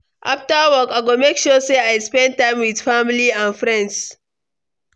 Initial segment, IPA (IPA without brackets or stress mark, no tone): ʔ